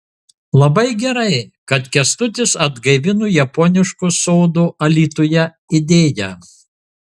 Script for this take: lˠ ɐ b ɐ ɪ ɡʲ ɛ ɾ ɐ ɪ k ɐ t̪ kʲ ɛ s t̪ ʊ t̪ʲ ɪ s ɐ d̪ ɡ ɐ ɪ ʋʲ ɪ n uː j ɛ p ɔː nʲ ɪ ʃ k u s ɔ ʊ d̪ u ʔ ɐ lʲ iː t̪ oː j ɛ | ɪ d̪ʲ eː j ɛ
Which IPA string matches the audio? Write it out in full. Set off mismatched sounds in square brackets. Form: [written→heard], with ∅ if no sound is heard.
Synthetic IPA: lˠ ɐ b ɐ ɪ ɡʲ ɛ ɾ ɐ ɪ k ɐ t̪ kʲ ɛ s t̪ ʊ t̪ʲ ɪ s ɐ d̪ ɡ ɐ ɪ ʋʲ ɪ n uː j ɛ p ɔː nʲ ɪ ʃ k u s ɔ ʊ d̪ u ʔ ɐ lʲ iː t̪ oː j ɛ | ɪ d̪ʲ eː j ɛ

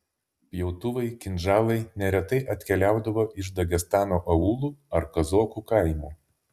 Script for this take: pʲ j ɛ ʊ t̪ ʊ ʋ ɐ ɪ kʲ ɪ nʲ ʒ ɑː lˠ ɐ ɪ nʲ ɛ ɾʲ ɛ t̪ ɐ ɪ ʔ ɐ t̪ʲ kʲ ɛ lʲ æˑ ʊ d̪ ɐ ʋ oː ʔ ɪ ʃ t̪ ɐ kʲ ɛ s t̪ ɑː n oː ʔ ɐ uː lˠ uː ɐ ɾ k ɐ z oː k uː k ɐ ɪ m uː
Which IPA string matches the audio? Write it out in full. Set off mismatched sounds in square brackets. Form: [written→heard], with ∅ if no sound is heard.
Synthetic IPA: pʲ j ɛ ʊ t̪ ʊ ʋ ɐ ɪ kʲ ɪ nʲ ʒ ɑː lˠ ɐ ɪ nʲ ɛ ɾʲ ɛ t̪ ɐ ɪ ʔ ɐ t̪ʲ kʲ ɛ lʲ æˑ ʊ d̪ ɐ ʋ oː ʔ ɪ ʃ [t̪→d̪] ɐ [kʲ→ɡʲ] ɛ s t̪ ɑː n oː ʔ ɐ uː lˠ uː ɐ ɾ k ɐ z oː k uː k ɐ ɪ m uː

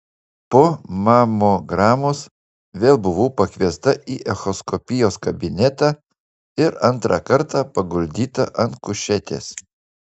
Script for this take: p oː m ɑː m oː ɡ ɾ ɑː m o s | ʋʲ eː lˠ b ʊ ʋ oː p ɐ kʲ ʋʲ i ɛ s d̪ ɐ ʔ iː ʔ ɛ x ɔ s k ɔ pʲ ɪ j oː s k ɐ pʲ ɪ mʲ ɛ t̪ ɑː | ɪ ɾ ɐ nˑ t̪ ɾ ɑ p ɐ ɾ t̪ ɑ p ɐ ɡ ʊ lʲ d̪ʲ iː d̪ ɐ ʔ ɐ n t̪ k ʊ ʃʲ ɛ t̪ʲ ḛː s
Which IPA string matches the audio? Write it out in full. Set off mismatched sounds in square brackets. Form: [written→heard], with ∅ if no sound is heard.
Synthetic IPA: p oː m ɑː m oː ɡ ɾ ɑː m o s | ʋʲ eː lˠ b ʊ ʋ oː p ɐ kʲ ʋʲ i ɛ s [d̪→t̪] ɐ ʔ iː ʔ ɛ x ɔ s k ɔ pʲ ɪ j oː s k ɐ [pʲ→bʲ] ɪ [mʲ→nʲ] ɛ t̪ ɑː | ɪ ɾ ɐ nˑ t̪ ɾ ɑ [p→k] ɐ ɾ t̪ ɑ p ɐ ɡ ʊ lʲ d̪ʲ iː [d̪→t̪] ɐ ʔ ɐ n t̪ k ʊ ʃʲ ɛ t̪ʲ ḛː s

